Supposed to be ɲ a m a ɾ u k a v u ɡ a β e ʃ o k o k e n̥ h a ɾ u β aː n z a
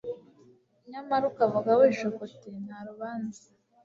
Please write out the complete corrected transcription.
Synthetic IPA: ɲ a m a ɾ u k a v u ɡ a w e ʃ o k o t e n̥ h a ɾ u β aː n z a